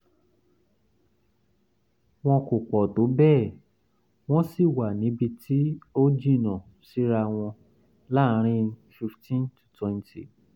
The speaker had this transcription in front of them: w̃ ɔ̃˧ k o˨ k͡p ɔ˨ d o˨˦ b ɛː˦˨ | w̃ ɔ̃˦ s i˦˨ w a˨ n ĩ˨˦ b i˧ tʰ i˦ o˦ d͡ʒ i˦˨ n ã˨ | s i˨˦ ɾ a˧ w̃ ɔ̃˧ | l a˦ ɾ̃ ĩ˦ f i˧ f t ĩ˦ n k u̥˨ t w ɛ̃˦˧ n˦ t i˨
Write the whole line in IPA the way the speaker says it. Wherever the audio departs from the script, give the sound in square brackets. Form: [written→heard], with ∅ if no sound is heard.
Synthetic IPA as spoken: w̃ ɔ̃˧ k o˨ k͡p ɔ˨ d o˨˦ b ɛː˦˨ | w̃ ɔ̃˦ s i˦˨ w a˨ n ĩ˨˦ b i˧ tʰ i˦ o˦ d͡ʒ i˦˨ n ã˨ | s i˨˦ ɾ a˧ w̃ ɔ̃˧ | l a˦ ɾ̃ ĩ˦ f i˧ f t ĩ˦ n [k→t] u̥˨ t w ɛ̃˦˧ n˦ t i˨